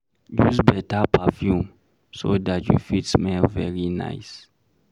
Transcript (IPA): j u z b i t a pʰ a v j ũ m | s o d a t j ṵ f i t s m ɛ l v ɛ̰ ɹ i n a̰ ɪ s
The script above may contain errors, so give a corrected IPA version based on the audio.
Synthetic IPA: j u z b ɛ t a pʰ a f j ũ m | s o d a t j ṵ f i t s m ɛ l v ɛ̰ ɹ i n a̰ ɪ s